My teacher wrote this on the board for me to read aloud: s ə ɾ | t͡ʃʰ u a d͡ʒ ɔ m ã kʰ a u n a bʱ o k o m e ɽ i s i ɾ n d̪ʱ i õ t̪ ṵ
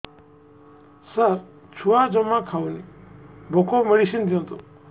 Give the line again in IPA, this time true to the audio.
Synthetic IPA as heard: s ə ɾ | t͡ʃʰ u a d͡ʒ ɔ m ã kʰ a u n i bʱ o k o m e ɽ i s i n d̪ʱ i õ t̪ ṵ

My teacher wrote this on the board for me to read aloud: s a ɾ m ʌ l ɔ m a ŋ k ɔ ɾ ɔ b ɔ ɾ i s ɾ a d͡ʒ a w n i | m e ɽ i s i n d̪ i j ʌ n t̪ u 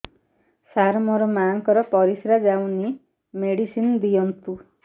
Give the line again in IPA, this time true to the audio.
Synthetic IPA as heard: s a ɾ m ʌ ɾ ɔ m a ŋ k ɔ ɾ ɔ p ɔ ɾ i s ɾ a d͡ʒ a w n i | m e ɽ i s i n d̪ i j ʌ n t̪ u

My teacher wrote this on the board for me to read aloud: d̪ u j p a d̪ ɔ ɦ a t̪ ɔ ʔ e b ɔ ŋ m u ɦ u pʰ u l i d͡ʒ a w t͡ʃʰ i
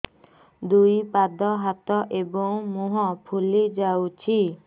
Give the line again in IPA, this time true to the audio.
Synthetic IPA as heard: d̪ u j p a d̪ ɔ ɦ a t̪ ɔ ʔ e b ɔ ŋ m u ɦ ɔ pʰ u l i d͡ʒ a w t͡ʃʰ i

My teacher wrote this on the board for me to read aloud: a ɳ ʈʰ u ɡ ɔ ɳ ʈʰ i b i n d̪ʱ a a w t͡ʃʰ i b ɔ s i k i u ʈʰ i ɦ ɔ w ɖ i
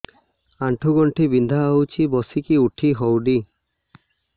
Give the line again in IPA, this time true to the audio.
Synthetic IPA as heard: a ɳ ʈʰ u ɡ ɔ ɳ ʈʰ i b i n d̪ʱ a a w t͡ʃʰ i b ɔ s i k i u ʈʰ i ɦ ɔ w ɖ i

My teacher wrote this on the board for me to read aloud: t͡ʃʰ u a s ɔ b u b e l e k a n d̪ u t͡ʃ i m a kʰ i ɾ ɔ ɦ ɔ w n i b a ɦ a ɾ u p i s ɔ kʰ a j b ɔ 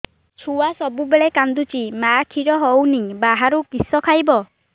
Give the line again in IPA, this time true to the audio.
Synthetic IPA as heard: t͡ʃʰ u a s ɔ b u b e ɭ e k a n d̪ u t͡ʃ i m a kʰ i ɾ ɔ ɦ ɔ w n i b a ɦ a ɾ u k i s ɔ kʰ a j b ɔ

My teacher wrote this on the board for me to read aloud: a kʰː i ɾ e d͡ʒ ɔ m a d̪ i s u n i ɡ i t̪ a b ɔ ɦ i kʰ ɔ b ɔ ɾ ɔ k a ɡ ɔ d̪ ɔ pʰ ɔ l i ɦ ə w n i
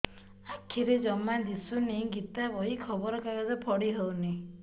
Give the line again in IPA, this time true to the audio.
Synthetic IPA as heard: a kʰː i ɾ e d͡ʒ ɔ m a d̪ i s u n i ɡ i t̪ a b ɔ ɦ i kʰ ɔ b ɔ ɾ ɔ k a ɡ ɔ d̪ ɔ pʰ ɔ ɽ i ɦ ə w n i

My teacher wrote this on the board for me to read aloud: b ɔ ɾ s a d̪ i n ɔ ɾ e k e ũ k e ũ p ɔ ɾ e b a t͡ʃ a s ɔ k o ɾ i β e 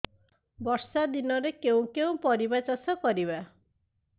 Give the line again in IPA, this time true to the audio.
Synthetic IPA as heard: b ɔ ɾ s a d̪ i n ɔ ɾ e k e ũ k e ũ p ɔ ɾ i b a t͡ʃ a s ɔ k ɔ ɾ i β a

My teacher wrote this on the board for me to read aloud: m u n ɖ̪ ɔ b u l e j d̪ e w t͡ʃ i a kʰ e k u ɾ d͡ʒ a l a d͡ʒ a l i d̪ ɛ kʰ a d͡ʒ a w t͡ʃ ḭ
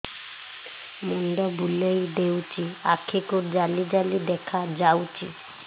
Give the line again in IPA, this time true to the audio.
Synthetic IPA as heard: m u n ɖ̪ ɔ b u l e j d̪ e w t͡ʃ i a kʰ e k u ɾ d͡ʒ a l i d͡ʒ a l i d̪ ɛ kʰ a d͡ʒ a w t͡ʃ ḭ

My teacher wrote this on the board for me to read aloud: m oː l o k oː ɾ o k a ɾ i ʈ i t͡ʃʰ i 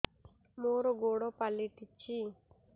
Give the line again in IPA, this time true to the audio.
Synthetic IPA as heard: m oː ɾ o ɡ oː ɽ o p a l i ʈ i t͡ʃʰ i

